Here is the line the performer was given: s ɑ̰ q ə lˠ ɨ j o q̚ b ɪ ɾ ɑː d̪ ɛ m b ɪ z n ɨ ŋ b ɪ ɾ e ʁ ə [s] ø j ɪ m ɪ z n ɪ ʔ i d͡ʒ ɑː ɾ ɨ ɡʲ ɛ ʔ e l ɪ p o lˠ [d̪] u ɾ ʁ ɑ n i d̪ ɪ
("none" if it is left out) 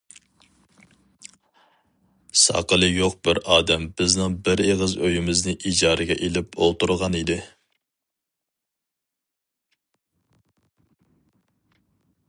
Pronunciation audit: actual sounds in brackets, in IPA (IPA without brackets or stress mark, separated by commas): z, t̪